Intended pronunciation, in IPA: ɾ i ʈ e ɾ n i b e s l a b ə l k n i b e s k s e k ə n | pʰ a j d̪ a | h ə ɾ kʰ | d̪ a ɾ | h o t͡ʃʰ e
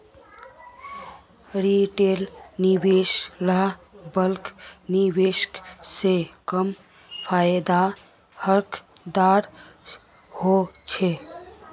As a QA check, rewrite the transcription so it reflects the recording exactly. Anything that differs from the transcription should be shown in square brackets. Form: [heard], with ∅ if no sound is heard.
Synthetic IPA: ɾ i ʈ e [l] n i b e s l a b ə l k n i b e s k s e k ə [m] | pʰ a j d̪ a | h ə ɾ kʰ | d̪ a ɾ | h o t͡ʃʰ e

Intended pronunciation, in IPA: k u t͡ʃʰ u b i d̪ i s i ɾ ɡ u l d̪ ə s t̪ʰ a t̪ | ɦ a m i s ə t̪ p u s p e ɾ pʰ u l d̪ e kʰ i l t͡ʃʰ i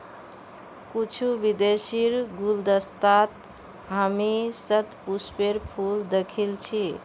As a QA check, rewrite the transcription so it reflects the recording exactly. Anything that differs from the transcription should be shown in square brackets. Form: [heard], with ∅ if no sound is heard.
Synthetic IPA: k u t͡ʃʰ u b i d̪ [e] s i ɾ ɡ u l d̪ ə s [t̪] a t̪ | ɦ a m i s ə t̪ p u s p e ɾ pʰ u l d̪ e kʰ i l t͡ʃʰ i

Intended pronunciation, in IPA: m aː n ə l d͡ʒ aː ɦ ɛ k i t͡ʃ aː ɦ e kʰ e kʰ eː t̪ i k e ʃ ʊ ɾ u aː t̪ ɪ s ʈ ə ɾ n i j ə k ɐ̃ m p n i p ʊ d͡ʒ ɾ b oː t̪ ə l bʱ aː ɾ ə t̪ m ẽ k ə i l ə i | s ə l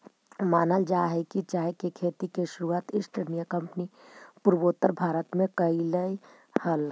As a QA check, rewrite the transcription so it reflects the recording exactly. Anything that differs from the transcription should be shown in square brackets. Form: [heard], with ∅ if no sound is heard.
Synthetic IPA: m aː n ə l d͡ʒ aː ɦ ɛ k i t͡ʃ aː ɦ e [k] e kʰ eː t̪ i k e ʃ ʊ ɾ u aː t̪ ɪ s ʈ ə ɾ n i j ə k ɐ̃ m p n i p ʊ [∅] ɾ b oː t̪ ə [ɾ] bʱ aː ɾ ə t̪ m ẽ k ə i l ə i | [h] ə l

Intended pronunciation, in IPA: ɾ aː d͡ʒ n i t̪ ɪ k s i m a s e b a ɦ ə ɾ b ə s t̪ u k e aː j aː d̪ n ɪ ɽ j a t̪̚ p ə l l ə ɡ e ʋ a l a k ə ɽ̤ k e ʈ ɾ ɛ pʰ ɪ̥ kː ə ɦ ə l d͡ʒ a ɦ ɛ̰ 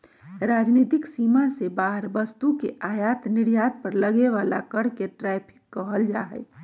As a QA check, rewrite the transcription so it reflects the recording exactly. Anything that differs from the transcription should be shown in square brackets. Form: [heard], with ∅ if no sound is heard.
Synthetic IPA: ɾ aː d͡ʒ n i t̪ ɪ k s i m a s e b a ɦ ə ɾ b ə s t̪ u k e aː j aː [t̪] n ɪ ɽ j a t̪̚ p ə [ɾ] l ə ɡ e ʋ a l a k ə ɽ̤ k e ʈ ɾ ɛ pʰ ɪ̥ kː ə ɦ ə l d͡ʒ a ɦ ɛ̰

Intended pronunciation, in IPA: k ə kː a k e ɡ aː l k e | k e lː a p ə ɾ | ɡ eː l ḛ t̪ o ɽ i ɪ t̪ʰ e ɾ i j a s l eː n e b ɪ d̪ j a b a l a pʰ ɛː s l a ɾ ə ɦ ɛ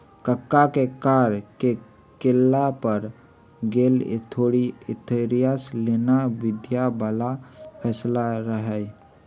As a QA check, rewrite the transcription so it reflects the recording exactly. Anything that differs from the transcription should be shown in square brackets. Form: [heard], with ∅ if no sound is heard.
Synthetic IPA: k ə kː a k e [k] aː [ɾ] k e | k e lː a p ə ɾ | ɡ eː l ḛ [t̪ʰ] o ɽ i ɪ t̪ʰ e ɾ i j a s l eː n [a] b ɪ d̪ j a b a l a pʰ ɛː s l a ɾ ə ɦ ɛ

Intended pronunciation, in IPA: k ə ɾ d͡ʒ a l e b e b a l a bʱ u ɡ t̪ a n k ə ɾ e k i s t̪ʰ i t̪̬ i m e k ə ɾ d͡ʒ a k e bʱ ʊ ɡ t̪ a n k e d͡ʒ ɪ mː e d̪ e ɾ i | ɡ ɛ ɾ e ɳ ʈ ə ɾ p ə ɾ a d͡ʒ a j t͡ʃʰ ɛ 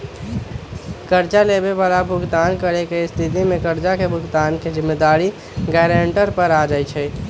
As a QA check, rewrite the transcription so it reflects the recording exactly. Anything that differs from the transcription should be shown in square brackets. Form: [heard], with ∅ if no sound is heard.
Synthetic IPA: k ə ɾ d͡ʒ a l e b e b a l a bʱ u ɡ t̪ a n k ə ɾ e k [e] s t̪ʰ i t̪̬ i m e k ə ɾ d͡ʒ a k e bʱ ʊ ɡ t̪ a n k e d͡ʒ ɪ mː e d̪ [a] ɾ i | ɡ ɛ ɾ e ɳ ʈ ə ɾ p ə ɾ a d͡ʒ a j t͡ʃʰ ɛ

